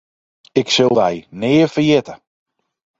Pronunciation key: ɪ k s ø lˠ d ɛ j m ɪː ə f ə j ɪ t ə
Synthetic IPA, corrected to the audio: ɪ k s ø lˠ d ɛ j n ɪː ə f ə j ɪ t ə